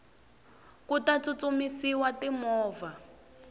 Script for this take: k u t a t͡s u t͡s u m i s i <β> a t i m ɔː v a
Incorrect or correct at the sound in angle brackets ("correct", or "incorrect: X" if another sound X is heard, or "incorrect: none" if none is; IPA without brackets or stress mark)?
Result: incorrect: w